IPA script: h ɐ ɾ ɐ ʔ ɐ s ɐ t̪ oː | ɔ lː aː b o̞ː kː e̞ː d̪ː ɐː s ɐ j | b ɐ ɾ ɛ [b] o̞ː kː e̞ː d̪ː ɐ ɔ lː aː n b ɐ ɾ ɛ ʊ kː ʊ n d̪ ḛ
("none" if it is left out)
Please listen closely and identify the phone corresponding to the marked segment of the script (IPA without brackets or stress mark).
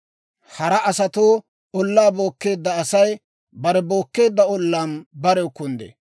b